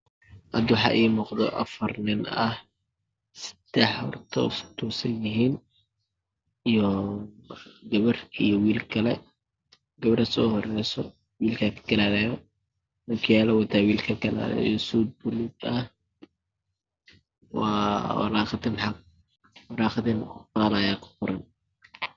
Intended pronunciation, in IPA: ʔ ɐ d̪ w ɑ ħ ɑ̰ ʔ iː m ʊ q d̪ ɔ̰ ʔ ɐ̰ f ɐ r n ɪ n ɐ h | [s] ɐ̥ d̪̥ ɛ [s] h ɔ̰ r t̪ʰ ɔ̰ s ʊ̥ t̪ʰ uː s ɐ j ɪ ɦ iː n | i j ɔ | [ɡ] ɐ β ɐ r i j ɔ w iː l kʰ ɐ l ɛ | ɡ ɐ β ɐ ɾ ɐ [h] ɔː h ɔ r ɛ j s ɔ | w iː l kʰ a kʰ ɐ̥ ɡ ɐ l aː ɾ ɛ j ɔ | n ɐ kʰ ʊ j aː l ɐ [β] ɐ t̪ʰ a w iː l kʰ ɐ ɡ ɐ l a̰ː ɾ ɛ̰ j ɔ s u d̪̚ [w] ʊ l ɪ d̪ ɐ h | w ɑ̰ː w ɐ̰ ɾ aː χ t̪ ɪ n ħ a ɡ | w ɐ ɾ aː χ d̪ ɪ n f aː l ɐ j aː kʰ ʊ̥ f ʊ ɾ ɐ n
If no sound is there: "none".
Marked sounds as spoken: s, ħ, ɡ, s, w, b

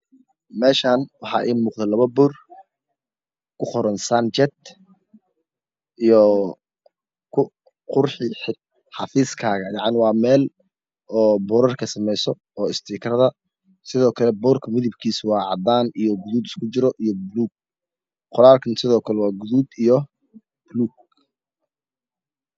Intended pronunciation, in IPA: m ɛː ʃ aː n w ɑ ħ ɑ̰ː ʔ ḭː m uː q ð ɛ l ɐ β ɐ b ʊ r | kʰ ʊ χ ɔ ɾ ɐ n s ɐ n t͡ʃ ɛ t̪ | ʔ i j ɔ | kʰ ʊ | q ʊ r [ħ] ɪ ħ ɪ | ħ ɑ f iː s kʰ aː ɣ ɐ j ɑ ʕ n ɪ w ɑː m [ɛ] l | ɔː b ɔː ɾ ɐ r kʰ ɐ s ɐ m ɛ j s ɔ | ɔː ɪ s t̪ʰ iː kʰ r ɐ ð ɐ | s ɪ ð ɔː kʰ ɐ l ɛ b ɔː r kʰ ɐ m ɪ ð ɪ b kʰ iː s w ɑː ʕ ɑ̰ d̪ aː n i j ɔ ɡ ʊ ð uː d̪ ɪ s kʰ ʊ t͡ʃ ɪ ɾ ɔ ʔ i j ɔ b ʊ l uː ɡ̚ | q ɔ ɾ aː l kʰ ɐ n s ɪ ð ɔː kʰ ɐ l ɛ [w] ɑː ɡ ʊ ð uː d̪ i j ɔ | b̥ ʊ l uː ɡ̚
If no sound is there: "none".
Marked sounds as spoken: ħ, ɛː, w

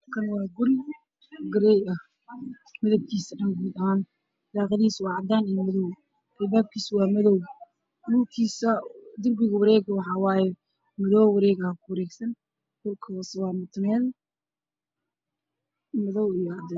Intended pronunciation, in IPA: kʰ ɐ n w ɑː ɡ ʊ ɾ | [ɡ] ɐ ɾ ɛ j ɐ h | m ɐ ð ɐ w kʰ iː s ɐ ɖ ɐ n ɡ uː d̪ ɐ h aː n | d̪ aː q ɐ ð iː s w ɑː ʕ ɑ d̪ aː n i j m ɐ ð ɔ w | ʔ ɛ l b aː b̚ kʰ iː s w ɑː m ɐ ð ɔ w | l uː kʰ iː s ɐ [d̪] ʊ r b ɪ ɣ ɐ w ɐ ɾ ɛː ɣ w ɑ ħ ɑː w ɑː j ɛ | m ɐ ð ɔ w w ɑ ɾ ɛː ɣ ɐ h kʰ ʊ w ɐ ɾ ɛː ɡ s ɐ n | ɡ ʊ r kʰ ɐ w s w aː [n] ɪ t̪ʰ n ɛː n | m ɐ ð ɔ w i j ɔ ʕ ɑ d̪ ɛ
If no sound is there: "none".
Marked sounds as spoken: ɡ, d̪, m

